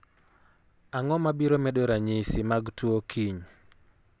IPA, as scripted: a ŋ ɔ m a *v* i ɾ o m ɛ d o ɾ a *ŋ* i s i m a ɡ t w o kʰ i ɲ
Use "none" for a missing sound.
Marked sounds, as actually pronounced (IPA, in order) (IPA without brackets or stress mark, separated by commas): b, ɲ